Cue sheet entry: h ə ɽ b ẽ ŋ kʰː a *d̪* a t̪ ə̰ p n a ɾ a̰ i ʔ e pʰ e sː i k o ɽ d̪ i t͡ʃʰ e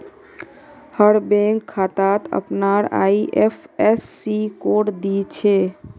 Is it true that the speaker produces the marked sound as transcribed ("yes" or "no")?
no